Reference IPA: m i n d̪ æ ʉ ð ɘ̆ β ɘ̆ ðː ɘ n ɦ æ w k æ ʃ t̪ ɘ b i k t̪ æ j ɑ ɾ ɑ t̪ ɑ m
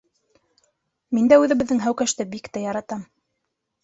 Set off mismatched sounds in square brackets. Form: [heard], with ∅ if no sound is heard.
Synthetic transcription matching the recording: m i n d̪ æ ʉ ð ɘ̆ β ɘ̆ ðː ɘ [ŋ] ɦ æ w k æ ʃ t̪ ɘ b i k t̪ æ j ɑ ɾ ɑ t̪ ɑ m